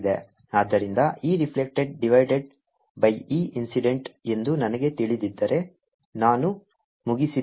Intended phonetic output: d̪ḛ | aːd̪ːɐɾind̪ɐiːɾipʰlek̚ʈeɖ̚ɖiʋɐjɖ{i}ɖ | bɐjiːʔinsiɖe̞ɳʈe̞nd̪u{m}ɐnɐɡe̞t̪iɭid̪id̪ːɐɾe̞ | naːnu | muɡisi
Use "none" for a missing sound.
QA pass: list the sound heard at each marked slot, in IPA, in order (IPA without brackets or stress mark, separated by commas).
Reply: e, n